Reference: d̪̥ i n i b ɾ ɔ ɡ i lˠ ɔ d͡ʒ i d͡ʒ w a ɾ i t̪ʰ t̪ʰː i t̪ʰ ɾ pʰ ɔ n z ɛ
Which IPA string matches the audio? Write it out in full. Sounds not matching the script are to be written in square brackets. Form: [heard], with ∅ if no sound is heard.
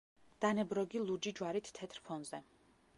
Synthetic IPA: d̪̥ [a] n [ɛ] b ɾ ɔ ɡ i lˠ [u] d͡ʒ i d͡ʒ w a ɾ i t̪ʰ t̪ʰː [ɛ] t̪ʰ ɾ pʰ ɔ n z ɛ